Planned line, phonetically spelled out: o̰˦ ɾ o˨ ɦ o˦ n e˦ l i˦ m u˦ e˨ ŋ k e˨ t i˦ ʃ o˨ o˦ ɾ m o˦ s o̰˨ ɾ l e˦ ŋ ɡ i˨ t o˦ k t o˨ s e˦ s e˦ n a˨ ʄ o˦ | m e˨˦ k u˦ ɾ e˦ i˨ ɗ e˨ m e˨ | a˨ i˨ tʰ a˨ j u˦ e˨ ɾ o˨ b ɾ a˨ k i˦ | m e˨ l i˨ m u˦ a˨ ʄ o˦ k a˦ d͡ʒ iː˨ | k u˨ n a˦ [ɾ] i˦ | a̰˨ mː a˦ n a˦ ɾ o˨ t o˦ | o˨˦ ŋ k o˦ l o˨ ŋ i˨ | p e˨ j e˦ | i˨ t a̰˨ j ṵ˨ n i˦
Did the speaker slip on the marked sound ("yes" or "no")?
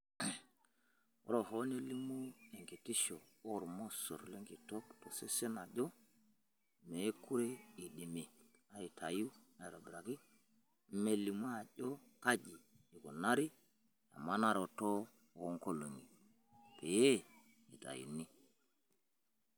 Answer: no